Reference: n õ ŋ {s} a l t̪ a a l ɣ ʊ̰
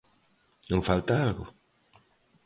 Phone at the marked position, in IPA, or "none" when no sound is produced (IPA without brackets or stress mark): f